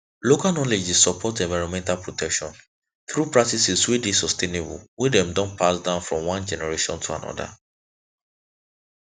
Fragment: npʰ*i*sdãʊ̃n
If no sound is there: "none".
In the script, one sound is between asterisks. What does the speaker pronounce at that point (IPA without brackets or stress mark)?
a